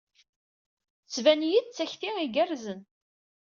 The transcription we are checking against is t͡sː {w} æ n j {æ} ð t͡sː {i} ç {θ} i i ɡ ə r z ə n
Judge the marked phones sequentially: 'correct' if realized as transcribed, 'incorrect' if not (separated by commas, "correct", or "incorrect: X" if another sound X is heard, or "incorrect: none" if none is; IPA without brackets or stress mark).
incorrect: v, incorrect: i, incorrect: æ, correct